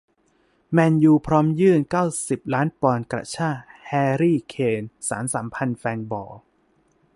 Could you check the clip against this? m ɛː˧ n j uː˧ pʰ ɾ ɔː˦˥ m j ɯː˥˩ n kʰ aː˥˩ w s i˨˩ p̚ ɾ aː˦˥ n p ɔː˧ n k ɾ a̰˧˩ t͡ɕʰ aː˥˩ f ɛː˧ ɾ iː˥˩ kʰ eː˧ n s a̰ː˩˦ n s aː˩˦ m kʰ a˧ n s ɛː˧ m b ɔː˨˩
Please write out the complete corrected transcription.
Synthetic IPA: m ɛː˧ n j uː˧ pʰ ɾ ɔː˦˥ m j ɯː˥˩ n k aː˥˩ w s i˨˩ p̚ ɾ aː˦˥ n p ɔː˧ n k ɾ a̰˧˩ t͡ɕʰ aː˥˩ h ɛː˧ ɾ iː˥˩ kʰ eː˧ n s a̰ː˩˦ n s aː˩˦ m pʰ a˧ n f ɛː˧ n b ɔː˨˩